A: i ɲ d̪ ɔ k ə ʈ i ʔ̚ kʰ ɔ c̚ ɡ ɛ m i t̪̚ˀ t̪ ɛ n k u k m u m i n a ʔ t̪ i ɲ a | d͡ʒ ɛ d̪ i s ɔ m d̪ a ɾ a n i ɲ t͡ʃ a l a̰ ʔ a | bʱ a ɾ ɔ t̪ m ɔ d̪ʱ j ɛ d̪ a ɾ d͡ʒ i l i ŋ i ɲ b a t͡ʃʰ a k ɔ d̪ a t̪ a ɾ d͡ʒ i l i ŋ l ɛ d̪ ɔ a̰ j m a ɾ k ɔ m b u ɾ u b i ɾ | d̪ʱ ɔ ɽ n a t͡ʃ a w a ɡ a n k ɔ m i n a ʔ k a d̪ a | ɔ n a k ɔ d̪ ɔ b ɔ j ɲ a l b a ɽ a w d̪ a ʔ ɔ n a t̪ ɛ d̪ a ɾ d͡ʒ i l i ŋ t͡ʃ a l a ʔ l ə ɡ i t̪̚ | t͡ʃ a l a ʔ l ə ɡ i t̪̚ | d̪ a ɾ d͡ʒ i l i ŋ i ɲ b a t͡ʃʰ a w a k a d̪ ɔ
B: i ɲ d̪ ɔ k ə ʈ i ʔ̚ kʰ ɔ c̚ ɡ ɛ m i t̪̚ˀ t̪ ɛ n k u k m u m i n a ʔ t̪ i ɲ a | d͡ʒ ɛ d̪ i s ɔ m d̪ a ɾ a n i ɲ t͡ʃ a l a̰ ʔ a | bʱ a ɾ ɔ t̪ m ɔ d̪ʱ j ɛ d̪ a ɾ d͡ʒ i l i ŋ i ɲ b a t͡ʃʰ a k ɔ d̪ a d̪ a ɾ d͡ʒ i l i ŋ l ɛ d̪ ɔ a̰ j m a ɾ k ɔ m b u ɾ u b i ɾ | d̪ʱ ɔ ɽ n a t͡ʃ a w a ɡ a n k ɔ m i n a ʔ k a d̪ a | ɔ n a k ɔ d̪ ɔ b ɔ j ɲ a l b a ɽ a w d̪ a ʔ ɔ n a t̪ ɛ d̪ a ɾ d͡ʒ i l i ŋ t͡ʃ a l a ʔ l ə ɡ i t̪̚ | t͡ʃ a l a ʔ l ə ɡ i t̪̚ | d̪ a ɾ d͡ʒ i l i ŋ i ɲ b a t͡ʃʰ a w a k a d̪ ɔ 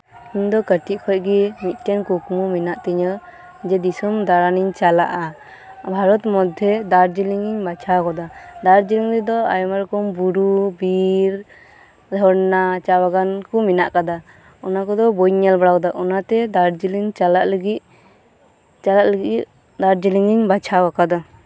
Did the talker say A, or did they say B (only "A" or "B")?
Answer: B